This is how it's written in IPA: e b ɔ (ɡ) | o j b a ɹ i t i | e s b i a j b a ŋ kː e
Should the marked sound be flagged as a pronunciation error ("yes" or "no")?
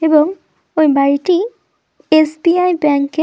yes